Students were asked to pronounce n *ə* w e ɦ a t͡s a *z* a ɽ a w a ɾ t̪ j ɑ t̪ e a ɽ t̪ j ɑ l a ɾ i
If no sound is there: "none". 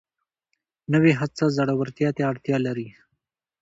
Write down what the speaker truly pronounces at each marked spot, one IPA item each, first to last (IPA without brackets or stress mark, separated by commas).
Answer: ə, z